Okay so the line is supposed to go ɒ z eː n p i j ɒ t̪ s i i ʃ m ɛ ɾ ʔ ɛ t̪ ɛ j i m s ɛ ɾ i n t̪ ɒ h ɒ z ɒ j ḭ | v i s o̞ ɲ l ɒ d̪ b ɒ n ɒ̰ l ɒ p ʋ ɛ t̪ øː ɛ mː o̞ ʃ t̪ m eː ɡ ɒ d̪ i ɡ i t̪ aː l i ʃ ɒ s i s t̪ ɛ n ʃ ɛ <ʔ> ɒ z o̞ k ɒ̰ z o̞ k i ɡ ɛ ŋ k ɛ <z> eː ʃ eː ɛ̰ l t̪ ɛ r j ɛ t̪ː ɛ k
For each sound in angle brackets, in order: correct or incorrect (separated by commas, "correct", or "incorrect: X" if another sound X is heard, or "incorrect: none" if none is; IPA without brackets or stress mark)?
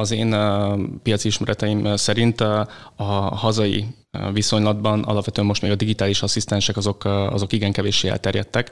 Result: incorrect: k, incorrect: v